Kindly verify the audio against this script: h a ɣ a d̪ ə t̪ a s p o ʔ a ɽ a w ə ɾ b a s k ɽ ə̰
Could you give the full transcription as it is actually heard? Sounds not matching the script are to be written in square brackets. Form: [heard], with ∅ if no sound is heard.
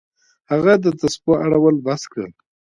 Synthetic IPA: h a ɣ a d̪ ə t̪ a s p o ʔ a ɽ a w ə [l] b a s k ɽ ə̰